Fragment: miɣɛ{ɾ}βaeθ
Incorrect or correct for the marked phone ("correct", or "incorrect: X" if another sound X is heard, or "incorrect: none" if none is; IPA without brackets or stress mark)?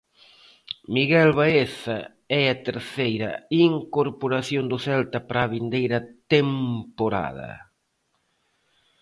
incorrect: l